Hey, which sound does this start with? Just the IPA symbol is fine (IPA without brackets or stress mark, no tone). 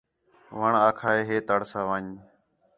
ʋ